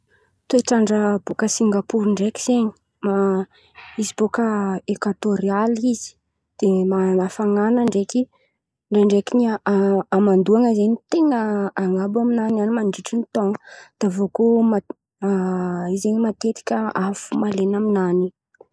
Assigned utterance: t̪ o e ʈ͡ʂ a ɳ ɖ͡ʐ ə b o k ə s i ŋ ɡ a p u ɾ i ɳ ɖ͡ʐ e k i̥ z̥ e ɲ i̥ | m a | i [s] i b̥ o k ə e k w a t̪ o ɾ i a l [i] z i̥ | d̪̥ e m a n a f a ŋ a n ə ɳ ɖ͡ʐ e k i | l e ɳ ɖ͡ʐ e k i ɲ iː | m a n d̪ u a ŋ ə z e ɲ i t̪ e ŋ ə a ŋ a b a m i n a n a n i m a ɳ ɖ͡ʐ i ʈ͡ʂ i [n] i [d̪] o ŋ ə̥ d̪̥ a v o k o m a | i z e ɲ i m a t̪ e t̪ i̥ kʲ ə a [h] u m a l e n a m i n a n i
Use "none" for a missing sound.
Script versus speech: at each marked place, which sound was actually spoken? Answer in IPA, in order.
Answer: z, i, n, t̪, f

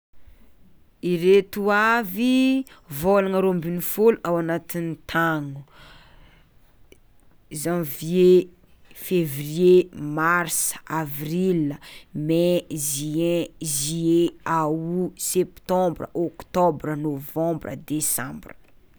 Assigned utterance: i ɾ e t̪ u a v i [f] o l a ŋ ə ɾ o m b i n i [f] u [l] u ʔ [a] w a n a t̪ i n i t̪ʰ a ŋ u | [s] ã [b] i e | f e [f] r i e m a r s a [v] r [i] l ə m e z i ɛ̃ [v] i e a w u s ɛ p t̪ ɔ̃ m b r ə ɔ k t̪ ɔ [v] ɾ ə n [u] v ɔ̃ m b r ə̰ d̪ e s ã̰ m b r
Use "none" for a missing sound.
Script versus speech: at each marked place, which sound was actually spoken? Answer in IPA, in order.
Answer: v, f, l, a, z, v, v, v, i, z, b, o

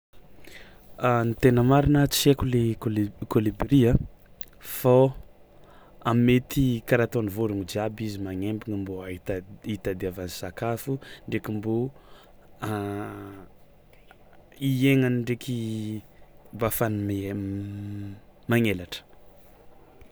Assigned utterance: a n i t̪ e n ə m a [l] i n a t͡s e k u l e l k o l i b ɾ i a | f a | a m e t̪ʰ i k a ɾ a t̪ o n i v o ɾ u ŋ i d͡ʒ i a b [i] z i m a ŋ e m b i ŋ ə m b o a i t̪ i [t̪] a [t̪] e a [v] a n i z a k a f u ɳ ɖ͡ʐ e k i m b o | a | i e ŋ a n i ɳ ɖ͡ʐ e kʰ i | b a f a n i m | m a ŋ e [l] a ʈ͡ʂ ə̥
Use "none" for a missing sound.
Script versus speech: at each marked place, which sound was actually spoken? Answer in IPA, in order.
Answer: ɾ, i, t̪, d̪, v, l

